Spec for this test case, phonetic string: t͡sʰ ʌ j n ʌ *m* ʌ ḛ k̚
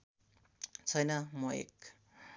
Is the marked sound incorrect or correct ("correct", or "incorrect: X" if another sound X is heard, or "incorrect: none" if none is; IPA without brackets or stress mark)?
correct